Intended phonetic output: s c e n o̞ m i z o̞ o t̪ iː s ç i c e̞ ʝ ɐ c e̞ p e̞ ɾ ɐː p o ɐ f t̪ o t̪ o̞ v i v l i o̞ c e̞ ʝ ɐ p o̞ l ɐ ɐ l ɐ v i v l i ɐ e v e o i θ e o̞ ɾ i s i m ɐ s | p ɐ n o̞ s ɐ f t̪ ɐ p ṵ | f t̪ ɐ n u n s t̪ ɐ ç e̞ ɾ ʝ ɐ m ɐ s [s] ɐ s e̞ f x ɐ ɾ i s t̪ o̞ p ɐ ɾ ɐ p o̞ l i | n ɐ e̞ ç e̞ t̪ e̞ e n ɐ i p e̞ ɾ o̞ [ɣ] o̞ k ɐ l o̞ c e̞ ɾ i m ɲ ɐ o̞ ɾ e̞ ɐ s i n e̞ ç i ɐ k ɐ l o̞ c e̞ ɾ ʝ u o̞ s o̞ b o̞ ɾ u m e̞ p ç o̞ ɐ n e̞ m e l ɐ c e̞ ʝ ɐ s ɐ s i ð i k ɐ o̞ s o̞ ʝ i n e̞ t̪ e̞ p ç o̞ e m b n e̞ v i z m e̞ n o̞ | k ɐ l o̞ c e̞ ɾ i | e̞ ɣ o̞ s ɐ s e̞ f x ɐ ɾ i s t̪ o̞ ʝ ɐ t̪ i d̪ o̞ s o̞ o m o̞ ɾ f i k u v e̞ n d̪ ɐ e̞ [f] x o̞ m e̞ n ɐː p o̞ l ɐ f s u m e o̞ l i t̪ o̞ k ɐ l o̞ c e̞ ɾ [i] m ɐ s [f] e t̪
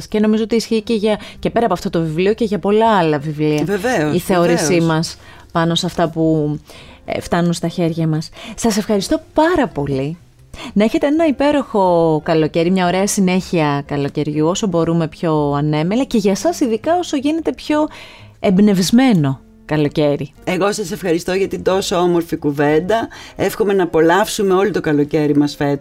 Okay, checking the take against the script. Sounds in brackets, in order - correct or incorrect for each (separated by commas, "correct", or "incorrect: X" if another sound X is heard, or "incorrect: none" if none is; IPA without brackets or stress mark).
correct, incorrect: x, correct, correct, correct